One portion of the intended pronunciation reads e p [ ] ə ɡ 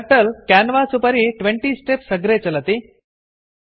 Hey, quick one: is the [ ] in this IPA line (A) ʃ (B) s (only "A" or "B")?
B